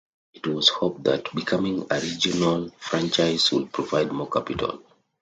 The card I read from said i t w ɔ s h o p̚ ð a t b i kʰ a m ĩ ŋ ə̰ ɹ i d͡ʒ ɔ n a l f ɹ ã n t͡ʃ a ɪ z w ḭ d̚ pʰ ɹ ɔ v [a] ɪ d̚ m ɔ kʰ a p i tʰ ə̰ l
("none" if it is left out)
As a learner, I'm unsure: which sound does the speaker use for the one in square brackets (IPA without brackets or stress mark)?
a